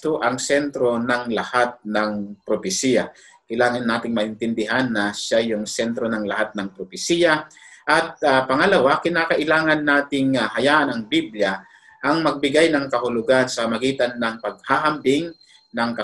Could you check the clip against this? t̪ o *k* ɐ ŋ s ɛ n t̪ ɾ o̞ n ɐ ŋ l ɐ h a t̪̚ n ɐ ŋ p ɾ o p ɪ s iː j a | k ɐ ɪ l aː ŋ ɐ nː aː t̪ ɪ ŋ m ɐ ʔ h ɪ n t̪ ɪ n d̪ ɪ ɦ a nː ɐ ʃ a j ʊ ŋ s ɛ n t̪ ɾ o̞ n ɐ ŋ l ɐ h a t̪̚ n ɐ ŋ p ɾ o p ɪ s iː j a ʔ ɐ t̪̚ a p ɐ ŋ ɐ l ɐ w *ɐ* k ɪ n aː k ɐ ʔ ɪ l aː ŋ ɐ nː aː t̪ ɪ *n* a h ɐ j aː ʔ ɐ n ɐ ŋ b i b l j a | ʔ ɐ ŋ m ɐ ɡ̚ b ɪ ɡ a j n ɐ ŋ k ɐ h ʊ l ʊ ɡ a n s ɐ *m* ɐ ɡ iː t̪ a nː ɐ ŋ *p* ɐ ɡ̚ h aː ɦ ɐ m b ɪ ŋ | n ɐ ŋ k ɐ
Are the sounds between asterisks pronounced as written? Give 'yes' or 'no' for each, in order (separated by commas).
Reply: no, no, no, yes, yes